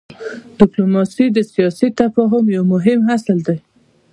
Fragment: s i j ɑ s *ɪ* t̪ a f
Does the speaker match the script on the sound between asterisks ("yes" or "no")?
no